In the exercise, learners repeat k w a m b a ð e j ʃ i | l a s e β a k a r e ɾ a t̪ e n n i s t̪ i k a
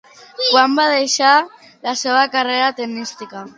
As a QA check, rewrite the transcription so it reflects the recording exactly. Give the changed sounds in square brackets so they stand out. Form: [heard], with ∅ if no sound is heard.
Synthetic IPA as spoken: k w a m b a ð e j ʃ [a] | l a s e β a k a r e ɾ a t̪ e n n i s t̪ i k a